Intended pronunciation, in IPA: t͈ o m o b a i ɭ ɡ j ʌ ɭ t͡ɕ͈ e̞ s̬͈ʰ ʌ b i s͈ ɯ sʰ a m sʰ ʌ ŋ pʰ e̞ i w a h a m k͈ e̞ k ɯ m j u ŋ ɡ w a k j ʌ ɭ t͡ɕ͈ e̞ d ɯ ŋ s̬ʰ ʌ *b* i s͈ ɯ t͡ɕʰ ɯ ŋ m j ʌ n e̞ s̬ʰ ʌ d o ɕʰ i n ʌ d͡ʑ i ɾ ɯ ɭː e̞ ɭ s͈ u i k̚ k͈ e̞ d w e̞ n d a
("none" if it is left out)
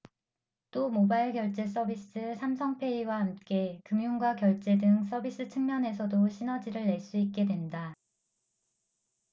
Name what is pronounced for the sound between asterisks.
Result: b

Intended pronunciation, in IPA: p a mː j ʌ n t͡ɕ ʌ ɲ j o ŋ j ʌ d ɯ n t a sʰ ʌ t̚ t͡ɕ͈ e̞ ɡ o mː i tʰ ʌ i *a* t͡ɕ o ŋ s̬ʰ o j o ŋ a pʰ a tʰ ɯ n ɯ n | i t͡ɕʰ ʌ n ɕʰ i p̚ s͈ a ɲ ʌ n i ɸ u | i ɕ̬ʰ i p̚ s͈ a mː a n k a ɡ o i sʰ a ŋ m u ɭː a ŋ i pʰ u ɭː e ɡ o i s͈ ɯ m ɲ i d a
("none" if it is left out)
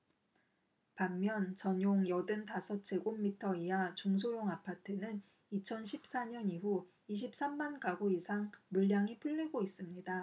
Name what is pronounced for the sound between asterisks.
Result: a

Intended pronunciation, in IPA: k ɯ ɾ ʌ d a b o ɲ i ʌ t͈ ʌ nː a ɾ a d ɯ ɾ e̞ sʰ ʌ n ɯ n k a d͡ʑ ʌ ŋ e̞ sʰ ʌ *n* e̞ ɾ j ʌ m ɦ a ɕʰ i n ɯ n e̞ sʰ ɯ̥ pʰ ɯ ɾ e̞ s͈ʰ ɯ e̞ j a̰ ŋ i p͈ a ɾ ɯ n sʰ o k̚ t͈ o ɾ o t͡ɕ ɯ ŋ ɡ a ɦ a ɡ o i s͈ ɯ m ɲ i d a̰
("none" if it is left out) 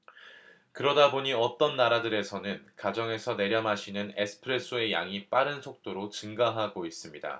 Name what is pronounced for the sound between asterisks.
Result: n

